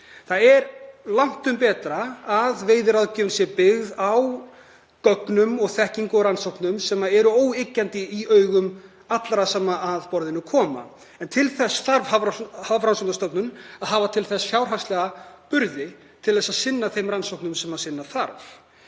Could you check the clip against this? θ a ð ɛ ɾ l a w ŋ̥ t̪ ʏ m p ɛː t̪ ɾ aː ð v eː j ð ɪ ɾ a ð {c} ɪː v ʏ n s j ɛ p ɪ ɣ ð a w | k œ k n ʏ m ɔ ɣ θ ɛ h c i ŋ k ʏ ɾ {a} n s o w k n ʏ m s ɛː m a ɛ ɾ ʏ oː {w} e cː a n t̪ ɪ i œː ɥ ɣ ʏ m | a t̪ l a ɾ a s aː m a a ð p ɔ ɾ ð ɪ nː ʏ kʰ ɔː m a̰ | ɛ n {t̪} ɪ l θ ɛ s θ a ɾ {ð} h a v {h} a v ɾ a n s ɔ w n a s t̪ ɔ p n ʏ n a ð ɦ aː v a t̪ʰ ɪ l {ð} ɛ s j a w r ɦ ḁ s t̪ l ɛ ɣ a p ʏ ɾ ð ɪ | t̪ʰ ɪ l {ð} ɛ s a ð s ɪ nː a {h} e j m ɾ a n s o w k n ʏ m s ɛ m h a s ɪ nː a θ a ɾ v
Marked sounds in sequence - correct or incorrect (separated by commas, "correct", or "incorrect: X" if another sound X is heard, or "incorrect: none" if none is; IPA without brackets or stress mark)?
correct, correct, correct, incorrect: t̪ʰ, incorrect: v, correct, incorrect: θ, correct, incorrect: θ